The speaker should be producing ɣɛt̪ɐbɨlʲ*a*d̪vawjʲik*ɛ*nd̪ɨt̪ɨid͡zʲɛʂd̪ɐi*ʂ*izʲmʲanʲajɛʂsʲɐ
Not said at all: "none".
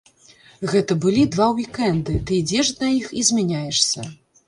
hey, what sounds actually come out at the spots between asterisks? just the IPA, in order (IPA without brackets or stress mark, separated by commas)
i, ɛ, x